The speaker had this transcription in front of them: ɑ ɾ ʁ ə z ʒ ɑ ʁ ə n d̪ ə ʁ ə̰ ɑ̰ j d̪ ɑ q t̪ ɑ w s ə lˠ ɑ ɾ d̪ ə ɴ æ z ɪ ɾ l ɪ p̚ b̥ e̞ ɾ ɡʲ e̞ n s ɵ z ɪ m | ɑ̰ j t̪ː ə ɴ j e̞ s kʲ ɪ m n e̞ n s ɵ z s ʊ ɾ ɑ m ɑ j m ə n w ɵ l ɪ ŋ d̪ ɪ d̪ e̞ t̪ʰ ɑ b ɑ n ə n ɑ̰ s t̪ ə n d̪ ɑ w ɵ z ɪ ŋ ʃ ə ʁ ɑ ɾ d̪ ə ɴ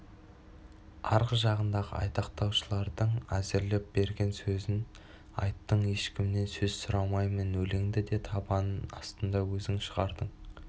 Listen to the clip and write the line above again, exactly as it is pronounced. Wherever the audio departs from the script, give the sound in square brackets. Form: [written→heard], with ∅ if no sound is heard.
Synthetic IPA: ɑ ɾ ʁ ə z ʒ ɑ ʁ ə n d̪ [ə→ɑ] ʁ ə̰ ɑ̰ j [d̪→t̪] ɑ q t̪ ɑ w [s→ʃ] ə lˠ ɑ ɾ d̪ ə ɴ æ z ɪ ɾ l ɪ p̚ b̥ e̞ ɾ ɡʲ e̞ n s ɵ z ɪ [m→n] | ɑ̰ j t̪ː ə ɴ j e̞ [s→ʃ] kʲ ɪ m n e̞ n s ɵ z s ʊ ɾ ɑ m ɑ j m ə n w ɵ l ɪ ŋ d̪ ɪ d̪ e̞ t̪ʰ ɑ b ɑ n ə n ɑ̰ s t̪ ə n d̪ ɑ w ɵ z ɪ ŋ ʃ ə ʁ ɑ ɾ d̪ ə ɴ